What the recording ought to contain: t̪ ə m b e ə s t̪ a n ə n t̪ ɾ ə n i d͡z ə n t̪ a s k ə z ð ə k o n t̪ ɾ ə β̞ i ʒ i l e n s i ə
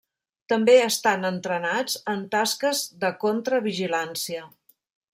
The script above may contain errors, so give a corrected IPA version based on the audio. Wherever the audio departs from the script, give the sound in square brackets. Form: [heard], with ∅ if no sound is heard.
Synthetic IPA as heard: t̪ ə m b e ə s t̪ a n ə n t̪ ɾ ə n [a] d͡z ə n t̪ a s k ə z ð ə k o n t̪ ɾ ə β̞ i ʒ i l [a] n s i ə